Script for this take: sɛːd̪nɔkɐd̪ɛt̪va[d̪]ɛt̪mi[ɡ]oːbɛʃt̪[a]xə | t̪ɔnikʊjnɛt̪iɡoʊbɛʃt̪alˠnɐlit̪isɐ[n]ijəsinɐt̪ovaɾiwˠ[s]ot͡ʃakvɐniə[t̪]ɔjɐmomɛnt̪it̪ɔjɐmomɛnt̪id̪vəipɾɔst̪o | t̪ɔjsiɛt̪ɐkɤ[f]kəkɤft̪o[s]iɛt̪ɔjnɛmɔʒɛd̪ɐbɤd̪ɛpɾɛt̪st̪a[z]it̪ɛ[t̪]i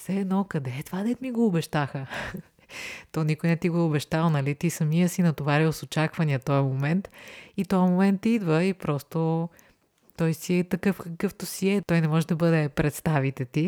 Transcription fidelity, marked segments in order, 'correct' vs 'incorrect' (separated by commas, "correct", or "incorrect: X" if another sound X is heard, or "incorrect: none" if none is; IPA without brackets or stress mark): correct, correct, correct, incorrect: m, correct, correct, correct, correct, incorrect: v, correct